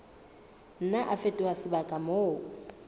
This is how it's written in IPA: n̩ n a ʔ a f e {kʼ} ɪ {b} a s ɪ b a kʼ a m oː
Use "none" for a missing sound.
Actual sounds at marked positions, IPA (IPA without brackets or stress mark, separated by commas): tʼ, w